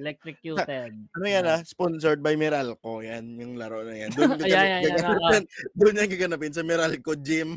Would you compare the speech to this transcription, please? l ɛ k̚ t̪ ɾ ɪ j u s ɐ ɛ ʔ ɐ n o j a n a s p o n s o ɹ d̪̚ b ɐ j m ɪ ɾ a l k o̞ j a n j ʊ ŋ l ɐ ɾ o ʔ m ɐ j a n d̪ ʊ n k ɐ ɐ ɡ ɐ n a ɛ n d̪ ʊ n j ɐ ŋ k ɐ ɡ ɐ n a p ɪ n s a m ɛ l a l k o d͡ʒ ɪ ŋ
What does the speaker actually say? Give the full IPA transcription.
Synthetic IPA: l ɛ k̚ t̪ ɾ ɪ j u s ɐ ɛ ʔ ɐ n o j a n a s p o n s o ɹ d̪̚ b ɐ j m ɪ ɾ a l k o̞ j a n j ʊ ŋ l ɐ ɾ o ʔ n ɐ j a n d̪ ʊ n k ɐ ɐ ɡ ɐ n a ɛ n d̪ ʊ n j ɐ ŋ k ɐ ɡ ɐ n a p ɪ n s ɐ m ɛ ɾ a l k o d͡ʒ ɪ m